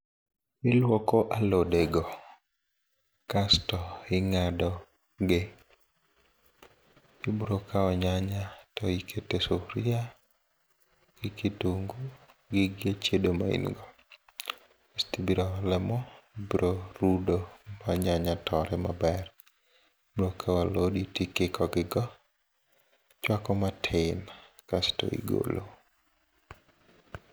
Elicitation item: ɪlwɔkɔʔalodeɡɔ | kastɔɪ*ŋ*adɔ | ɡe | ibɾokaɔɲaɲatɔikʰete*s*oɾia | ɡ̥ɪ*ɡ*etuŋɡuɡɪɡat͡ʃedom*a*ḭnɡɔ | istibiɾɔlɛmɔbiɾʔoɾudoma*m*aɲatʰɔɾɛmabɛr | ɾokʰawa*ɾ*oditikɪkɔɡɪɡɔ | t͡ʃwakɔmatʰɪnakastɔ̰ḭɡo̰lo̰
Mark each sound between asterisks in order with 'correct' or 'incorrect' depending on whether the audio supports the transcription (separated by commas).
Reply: correct, correct, incorrect, correct, incorrect, incorrect